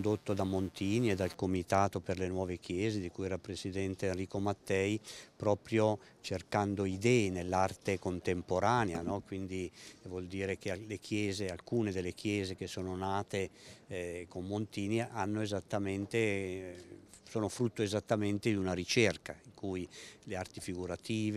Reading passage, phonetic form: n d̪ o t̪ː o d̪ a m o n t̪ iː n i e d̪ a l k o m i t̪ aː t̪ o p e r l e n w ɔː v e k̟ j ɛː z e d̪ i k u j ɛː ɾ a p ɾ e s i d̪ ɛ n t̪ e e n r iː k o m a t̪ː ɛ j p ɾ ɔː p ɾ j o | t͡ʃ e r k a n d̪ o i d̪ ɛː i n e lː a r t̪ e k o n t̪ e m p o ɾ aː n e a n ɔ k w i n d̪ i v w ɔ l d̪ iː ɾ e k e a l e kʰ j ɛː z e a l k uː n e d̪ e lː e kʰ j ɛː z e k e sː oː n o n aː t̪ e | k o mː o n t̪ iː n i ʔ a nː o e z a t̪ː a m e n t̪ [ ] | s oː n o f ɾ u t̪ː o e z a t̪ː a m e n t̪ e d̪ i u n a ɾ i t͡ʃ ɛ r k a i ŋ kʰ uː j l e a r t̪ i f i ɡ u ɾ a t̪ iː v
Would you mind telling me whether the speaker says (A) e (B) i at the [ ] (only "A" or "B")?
A